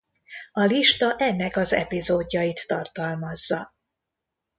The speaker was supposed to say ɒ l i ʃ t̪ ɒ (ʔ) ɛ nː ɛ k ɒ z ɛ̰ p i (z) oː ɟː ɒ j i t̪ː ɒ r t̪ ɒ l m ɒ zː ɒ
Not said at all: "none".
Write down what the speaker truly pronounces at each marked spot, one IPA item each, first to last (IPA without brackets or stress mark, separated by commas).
ʔ, z